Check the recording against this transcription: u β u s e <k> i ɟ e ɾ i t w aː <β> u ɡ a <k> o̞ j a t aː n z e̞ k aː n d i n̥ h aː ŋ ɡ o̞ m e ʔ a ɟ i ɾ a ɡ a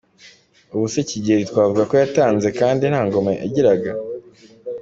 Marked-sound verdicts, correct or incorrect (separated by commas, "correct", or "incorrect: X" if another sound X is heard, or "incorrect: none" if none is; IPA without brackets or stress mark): incorrect: c, incorrect: v, correct